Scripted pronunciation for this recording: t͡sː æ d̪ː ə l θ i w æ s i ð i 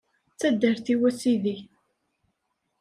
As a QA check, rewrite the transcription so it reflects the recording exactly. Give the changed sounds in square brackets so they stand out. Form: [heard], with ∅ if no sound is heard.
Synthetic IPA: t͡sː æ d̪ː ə [ɾ] θ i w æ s i ð i